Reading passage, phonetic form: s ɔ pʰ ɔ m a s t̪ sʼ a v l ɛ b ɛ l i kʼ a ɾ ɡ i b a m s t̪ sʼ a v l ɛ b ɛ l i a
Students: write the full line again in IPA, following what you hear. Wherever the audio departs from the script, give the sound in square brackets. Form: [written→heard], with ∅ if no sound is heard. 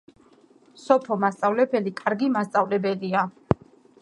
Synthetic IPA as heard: s ɔ pʰ ɔ m a s t̪ sʼ a v l ɛ b ɛ l i kʼ a ɾ ɡ i [b→m] a [m→∅] s t̪ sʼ a v l ɛ b ɛ l i a

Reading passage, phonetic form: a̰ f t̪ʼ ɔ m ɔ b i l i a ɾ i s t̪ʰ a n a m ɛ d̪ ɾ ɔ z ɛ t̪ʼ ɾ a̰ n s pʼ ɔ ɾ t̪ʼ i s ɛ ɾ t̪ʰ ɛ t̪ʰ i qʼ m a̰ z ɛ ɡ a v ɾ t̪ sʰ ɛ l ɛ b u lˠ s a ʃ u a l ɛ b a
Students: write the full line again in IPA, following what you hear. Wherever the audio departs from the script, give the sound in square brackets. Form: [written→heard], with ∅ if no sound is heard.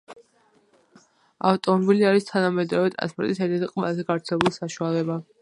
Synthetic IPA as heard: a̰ f t̪ʼ ɔ m ɔ b i l i a ɾ i s t̪ʰ a n a m ɛ d̪ ɾ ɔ [z→v] ɛ t̪ʼ ɾ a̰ n s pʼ ɔ ɾ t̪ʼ i s ɛ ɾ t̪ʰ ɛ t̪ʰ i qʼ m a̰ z ɛ ɡ a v ɾ t̪ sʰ ɛ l ɛ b u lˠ s a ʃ u a l ɛ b a

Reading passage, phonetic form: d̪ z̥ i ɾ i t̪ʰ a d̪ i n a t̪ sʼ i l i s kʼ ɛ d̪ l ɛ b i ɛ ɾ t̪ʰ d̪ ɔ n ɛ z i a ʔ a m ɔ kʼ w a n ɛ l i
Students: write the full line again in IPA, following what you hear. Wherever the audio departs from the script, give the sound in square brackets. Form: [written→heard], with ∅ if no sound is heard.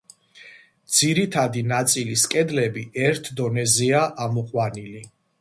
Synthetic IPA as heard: d̪ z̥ i ɾ i t̪ʰ a d̪ i n a t̪ sʼ i l i s kʼ ɛ d̪ l ɛ b i ɛ ɾ t̪ʰ d̪ ɔ n ɛ z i a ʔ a m ɔ [kʼ→qʼ] w a n [ɛ→i] l i

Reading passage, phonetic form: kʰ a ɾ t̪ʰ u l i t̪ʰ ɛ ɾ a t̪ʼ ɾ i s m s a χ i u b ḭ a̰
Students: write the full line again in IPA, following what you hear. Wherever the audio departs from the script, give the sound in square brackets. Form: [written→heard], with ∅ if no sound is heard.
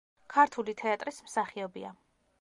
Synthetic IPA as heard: kʰ a ɾ t̪ʰ u l i t̪ʰ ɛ [ɾ→∅] a t̪ʼ ɾ i s m s a χ i [u→ɔ] b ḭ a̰

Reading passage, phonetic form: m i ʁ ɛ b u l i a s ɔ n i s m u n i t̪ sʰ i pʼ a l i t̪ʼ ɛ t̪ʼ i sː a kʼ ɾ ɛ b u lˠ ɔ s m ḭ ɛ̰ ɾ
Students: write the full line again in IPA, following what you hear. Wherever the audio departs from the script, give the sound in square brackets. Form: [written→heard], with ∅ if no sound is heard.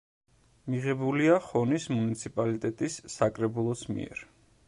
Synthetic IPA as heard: m i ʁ ɛ b u l i a [s→χ] ɔ n i s m u n i t̪ sʰ i pʼ a l i t̪ʼ ɛ t̪ʼ i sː a kʼ ɾ ɛ b u lˠ ɔ s m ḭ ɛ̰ ɾ

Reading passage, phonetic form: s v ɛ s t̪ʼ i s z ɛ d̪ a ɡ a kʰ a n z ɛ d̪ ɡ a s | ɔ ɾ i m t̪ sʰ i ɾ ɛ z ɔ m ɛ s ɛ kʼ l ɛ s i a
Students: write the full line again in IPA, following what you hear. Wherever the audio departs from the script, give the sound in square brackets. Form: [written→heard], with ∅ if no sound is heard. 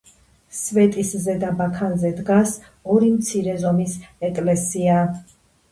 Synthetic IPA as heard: s v ɛ [s→∅] t̪ʼ i s z ɛ d̪ a [ɡ→b] a kʰ a n z ɛ d̪ ɡ a s | ɔ ɾ i m t̪ sʰ i ɾ ɛ z ɔ m [ɛ→i] s ɛ kʼ l ɛ s i a

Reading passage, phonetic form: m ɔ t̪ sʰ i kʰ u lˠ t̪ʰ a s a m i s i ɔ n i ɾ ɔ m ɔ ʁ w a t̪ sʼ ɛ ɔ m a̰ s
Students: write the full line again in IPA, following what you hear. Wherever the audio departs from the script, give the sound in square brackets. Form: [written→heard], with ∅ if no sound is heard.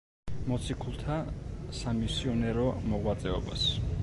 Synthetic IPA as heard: m ɔ t̪ sʰ i kʰ u lˠ t̪ʰ a s a m i s i ɔ n [i→ɛ] ɾ ɔ m ɔ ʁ w a t̪ sʼ ɛ ɔ [m→b] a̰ s

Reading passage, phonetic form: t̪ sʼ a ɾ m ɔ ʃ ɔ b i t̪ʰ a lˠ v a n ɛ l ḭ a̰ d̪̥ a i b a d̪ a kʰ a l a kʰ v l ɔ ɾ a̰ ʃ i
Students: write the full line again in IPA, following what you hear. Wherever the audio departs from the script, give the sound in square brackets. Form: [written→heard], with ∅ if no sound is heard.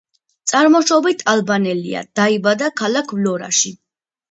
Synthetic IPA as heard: t̪ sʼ a ɾ m ɔ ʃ ɔ b i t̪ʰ a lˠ [v→b] a n ɛ l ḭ a̰ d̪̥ a i b a d̪ a kʰ a l a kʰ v l ɔ ɾ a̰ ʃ i

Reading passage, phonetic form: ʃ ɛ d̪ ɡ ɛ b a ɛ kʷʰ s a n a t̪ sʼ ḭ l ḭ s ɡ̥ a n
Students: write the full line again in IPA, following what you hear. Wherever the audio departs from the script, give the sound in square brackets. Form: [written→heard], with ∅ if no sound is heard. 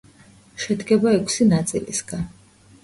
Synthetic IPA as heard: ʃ ɛ d̪ ɡ ɛ b a ɛ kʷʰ s [a→i] n a t̪ sʼ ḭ l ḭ s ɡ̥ a n

